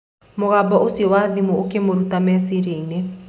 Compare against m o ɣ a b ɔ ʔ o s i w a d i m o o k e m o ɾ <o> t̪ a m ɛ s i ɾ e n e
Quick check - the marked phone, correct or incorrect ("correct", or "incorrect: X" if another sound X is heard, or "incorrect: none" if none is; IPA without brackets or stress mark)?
incorrect: u